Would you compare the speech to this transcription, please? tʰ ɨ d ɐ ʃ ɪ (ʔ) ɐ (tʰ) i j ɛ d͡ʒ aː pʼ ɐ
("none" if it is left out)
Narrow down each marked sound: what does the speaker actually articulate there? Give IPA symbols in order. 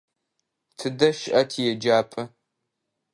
ʔ, tʰ

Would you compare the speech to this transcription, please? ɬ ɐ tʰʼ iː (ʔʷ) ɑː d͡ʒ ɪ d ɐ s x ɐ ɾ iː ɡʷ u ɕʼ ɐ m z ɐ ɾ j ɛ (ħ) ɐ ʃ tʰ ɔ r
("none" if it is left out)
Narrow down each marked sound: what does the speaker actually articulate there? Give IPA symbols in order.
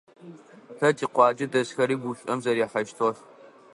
qʷ, ħ

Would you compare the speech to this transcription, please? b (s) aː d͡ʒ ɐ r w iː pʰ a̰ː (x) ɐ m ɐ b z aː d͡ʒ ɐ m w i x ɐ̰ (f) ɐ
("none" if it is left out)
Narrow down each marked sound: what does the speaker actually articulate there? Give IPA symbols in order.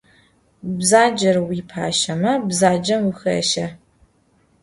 z, ʃ, ʃ

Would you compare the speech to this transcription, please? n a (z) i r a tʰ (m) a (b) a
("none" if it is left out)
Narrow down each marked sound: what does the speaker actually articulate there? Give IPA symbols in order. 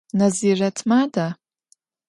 z, m, d

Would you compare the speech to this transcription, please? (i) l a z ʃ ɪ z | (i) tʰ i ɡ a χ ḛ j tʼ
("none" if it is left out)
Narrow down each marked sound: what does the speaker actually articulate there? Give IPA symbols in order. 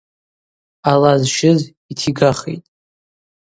a, i

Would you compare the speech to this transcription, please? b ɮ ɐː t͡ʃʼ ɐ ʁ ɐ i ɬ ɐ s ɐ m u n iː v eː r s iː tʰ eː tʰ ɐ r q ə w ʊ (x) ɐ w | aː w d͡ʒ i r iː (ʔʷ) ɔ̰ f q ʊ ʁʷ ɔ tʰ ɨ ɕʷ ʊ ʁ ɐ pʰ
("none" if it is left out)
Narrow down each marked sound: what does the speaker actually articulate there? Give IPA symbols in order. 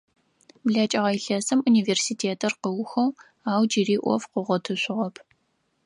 x, ʔʷ

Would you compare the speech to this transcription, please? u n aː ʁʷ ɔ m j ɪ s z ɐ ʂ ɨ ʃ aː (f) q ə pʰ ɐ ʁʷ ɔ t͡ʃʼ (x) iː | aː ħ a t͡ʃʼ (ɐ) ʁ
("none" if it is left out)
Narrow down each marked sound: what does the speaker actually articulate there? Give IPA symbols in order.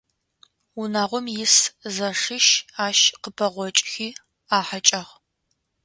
ʃ, x, ɐ

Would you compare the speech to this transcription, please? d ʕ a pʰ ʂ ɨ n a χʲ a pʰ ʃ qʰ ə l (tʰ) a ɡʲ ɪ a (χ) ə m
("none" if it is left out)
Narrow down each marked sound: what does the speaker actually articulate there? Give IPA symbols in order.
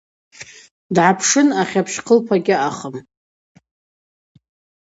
pʰ, χ

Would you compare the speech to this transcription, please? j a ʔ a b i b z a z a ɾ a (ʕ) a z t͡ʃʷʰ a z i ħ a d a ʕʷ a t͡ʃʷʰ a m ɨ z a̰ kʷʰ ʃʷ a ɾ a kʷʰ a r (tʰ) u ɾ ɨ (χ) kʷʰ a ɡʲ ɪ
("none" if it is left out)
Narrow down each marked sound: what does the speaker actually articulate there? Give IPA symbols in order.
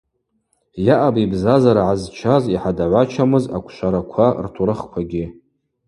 ʕ, tʰ, χ

